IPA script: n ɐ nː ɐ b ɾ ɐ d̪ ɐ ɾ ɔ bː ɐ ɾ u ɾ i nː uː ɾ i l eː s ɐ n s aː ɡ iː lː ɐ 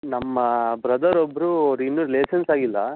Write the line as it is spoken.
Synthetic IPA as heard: n ɐ mː ɐ b ɾ ɐ d̪ ɐ ɾ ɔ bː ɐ ɾ u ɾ i nː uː ɾ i l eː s ɐ n s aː ɡ i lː ɐ

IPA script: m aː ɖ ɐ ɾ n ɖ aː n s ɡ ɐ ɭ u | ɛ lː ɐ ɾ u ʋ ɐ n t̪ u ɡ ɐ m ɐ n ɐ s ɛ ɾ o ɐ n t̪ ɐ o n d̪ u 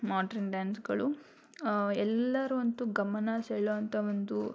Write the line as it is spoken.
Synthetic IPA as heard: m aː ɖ ɐ ɾ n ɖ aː n s ɡ ɐ ɭ u | ɛ lː ɐ ɾ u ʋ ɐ n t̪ u ɡ ɐ m ɐ n ɐ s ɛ ɭ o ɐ n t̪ ɐ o n d̪ u

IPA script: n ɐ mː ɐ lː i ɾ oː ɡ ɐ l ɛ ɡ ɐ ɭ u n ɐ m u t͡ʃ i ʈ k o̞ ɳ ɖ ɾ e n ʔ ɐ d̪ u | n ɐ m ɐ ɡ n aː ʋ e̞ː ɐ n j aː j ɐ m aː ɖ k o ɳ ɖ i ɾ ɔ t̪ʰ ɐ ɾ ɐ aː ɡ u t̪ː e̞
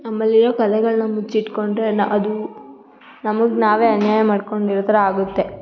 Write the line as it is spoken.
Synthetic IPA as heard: n ɐ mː ɐ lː i ɾ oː k ɐ l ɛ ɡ ɐ ɭ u n ɐ m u t͡ʃ i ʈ k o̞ ɳ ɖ ɾ e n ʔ ɐ d̪ u | n ɐ m ɐ ɡ n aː ʋ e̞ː ɐ n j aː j ɐ m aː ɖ k o ɳ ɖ i ɾ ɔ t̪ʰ ɐ ɾ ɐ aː ɡ u t̪ː e̞

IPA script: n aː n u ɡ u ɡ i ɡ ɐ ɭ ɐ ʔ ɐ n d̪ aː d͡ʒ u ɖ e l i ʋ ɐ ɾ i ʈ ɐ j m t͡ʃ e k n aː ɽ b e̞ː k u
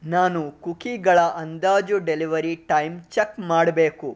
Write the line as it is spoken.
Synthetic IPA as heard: n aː n u k u k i ɡ ɐ ɭ ɐ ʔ ɐ n d̪ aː d͡ʒ u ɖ e l i ʋ ɐ ɾ i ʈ ɐ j m t͡ʃ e k m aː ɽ b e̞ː k u

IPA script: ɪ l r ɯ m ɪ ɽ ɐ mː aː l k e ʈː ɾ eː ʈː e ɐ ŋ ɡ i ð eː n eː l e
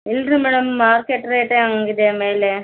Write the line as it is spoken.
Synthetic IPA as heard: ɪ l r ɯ m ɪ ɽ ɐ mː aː ɾ k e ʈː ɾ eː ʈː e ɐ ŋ ɡ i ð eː m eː l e

